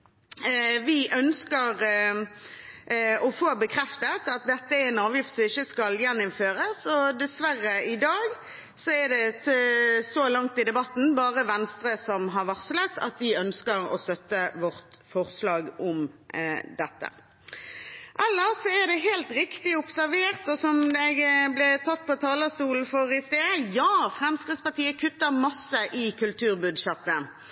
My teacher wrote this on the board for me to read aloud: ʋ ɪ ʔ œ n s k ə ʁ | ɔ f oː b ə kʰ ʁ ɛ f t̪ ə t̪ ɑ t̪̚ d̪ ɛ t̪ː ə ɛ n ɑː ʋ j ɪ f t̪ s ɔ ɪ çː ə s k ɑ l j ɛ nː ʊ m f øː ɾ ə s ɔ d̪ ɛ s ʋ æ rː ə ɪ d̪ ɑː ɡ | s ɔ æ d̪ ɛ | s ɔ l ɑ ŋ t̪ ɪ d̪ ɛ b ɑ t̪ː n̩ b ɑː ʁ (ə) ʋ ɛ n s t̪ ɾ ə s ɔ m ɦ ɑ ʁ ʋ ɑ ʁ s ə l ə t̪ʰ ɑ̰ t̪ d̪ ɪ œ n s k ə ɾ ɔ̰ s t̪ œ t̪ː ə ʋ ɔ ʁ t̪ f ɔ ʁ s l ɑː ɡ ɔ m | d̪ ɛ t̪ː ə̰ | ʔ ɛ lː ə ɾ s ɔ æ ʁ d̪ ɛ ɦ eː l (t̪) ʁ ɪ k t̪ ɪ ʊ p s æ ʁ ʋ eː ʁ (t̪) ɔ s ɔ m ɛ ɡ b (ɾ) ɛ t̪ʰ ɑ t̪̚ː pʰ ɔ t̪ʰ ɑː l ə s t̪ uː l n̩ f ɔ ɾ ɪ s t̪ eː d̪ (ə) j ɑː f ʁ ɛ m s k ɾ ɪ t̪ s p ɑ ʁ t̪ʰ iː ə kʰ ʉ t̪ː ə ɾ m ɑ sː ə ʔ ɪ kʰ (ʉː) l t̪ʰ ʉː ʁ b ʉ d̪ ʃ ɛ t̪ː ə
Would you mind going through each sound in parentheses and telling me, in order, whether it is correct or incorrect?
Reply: correct, correct, correct, incorrect: l, correct, incorrect: ʉ

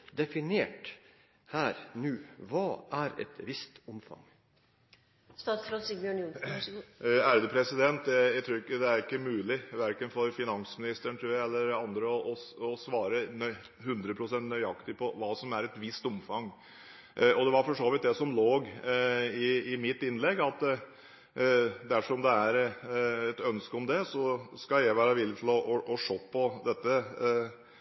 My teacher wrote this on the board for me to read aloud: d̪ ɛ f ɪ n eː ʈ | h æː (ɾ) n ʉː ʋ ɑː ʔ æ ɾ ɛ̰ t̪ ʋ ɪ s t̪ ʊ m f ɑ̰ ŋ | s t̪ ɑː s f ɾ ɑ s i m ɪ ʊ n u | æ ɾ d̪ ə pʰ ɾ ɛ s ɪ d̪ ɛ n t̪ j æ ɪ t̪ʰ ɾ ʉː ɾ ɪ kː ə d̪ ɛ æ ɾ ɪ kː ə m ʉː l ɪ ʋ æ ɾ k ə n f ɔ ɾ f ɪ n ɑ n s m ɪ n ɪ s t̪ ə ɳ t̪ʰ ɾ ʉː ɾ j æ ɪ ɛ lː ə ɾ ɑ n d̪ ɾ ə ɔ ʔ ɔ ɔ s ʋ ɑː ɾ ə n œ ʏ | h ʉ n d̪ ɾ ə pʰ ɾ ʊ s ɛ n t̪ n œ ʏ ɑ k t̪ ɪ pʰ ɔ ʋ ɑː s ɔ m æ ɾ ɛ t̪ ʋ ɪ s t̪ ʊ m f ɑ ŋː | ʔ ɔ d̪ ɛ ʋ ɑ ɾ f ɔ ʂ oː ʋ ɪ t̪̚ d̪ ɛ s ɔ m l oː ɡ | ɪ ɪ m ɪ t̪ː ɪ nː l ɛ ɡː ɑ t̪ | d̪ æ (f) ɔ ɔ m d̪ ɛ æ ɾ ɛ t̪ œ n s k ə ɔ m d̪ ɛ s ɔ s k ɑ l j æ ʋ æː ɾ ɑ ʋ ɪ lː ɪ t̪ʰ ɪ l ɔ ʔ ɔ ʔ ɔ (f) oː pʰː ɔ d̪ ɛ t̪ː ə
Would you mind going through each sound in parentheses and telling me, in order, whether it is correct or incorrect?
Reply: correct, incorrect: ʂ, incorrect: ʂ

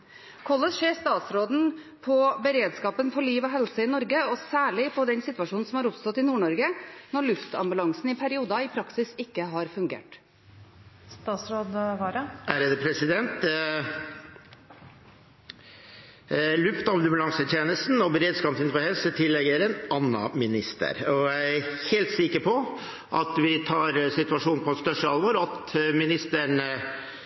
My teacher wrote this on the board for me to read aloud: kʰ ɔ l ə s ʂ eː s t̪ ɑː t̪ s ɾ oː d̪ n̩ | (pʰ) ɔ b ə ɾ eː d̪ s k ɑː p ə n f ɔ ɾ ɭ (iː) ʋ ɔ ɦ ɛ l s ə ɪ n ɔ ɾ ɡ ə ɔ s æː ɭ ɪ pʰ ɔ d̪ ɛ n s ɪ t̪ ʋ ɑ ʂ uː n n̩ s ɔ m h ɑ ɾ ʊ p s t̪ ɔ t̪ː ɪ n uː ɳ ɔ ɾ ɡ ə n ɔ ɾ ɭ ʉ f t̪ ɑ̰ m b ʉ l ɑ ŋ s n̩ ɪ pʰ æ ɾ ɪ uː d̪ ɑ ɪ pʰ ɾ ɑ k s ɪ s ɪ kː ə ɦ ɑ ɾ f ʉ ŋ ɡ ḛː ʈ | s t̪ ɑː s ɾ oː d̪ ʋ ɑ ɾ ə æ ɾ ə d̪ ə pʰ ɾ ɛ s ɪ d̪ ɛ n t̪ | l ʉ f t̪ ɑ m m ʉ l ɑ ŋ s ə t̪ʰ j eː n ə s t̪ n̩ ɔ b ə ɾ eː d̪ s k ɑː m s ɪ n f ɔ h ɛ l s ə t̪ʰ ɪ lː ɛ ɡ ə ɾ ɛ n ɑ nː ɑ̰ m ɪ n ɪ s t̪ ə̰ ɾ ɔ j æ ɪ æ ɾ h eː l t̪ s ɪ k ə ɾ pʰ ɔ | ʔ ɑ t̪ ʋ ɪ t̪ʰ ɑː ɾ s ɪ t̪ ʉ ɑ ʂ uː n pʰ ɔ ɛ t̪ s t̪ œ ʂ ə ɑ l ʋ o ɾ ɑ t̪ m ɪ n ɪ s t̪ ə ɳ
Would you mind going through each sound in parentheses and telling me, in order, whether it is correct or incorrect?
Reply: correct, correct

